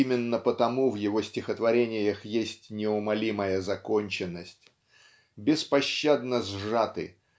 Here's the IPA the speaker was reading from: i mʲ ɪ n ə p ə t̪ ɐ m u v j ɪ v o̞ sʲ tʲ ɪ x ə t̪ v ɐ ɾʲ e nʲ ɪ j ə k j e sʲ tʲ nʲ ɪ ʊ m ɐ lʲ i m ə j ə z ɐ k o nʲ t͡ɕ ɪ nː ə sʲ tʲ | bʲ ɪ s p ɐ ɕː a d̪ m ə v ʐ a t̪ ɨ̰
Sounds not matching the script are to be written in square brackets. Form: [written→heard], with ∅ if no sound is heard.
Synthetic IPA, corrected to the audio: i mʲ ɪ [n→nː] ə p ə t̪ ɐ m u v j ɪ v o̞ sʲ tʲ ɪ x ə t̪ v ɐ ɾʲ e nʲ ɪ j ə [k→x] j e sʲ tʲ nʲ ɪ ʊ m ɐ lʲ i m ə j ə z ɐ k o nʲ t͡ɕ ɪ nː ə sʲ tʲ | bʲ ɪ s p ɐ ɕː a d̪ [m→n] ə [v→z] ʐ a t̪ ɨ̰